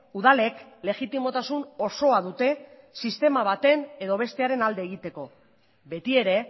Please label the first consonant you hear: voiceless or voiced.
voiced